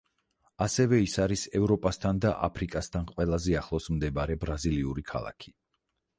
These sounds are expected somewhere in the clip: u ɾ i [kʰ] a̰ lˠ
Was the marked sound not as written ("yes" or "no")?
no